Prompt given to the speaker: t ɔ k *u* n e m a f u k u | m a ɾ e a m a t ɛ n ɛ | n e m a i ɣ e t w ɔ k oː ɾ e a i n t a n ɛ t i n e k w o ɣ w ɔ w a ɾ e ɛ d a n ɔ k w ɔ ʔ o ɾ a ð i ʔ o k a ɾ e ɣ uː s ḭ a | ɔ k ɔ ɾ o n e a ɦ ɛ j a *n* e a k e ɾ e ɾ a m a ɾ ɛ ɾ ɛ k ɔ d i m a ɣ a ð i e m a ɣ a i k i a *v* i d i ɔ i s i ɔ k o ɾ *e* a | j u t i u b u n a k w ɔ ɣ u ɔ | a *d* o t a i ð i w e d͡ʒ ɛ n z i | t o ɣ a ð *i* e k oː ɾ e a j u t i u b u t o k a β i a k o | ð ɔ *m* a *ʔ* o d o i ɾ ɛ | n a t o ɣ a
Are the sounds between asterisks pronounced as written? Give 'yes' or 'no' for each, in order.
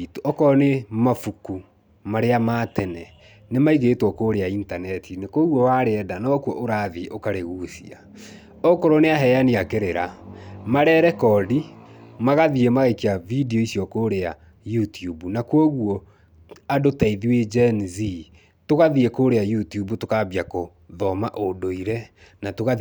no, yes, yes, yes, yes, yes, yes, yes

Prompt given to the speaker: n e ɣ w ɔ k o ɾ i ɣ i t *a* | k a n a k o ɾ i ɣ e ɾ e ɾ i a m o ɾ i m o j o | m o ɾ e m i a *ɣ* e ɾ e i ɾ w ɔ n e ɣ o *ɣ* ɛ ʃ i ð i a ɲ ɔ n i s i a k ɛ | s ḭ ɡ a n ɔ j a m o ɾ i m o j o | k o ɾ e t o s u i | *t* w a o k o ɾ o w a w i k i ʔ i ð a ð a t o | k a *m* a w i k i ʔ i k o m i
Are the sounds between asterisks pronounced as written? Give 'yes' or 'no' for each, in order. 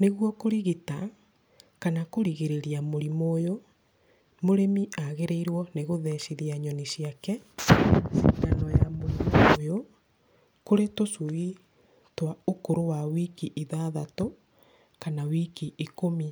yes, yes, no, yes, no

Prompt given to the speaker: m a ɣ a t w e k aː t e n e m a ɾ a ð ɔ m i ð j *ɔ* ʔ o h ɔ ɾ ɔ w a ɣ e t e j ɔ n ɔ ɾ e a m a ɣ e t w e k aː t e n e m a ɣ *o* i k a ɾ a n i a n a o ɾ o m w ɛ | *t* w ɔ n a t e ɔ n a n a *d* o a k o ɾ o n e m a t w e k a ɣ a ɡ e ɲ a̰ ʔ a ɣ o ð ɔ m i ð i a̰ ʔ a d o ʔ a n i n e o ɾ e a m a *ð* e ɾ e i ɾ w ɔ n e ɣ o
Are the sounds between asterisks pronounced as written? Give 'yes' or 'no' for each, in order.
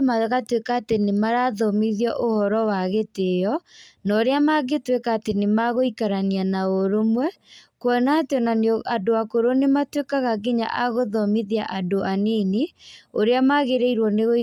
yes, yes, no, yes, no

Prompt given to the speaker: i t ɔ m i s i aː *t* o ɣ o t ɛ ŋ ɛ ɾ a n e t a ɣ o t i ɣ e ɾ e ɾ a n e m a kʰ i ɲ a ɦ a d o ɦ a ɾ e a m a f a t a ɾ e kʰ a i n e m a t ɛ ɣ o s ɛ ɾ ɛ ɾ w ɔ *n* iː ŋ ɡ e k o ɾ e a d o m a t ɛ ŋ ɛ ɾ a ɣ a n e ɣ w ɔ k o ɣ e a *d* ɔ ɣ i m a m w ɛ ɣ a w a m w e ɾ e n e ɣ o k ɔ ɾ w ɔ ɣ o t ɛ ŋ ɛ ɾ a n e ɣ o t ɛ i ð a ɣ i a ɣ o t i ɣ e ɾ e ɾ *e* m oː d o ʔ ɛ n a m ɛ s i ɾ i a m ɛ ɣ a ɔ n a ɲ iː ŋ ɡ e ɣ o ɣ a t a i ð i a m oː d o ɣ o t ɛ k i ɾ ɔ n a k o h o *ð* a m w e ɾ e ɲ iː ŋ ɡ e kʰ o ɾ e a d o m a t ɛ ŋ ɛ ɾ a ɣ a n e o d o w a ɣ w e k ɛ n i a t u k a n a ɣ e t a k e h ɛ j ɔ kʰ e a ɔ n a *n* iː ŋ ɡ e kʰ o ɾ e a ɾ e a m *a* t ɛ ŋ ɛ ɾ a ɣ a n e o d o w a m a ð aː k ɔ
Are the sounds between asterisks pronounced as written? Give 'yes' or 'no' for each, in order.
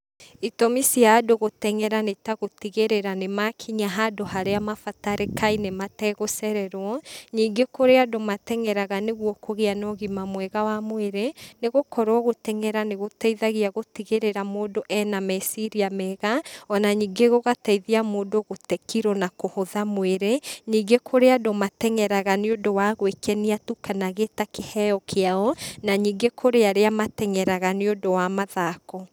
no, no, no, no, yes, no, yes

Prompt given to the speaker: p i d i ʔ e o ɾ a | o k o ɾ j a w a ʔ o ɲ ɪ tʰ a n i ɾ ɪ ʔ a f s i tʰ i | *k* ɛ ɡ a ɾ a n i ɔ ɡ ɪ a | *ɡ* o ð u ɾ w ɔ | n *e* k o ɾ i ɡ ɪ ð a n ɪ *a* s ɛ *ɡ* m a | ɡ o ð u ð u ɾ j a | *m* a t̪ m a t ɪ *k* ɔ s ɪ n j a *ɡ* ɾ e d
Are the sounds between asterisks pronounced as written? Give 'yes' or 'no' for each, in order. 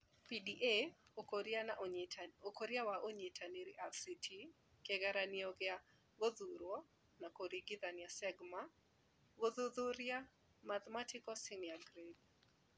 yes, yes, no, yes, yes, yes, yes, yes

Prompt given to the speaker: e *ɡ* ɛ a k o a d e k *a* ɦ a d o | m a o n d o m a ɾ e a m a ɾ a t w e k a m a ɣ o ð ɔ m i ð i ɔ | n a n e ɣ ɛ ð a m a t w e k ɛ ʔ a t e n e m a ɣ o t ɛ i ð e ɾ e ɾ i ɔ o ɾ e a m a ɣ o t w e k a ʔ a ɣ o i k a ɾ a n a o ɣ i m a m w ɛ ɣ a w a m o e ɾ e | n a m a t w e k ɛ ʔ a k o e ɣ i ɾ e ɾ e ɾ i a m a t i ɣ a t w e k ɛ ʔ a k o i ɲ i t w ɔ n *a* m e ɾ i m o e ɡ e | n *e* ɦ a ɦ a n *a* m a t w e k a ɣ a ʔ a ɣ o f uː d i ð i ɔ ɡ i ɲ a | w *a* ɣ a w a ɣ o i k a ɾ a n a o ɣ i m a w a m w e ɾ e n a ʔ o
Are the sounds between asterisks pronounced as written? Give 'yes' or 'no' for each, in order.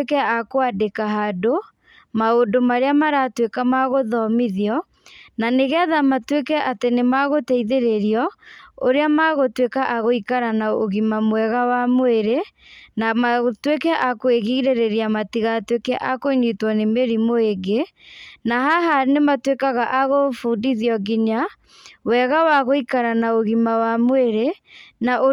no, yes, no, no, no, no

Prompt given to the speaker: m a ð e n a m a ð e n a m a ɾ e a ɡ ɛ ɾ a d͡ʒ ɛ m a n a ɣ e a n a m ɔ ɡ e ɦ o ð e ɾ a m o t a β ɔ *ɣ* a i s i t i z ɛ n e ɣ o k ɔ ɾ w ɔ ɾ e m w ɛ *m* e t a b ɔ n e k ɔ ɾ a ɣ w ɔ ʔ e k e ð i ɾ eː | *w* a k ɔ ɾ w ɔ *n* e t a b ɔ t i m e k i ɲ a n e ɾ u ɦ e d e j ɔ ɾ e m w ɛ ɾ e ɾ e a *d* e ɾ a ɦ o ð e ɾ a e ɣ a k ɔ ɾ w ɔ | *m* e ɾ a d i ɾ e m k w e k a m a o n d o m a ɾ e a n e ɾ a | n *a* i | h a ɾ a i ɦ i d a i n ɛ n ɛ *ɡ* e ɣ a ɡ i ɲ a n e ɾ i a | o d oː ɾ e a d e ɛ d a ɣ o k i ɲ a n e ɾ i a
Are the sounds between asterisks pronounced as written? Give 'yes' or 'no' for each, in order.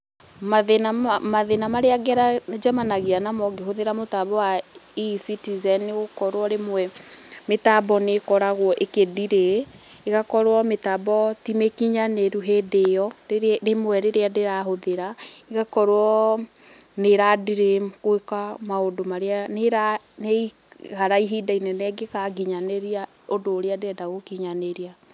no, yes, no, no, yes, no, no, yes

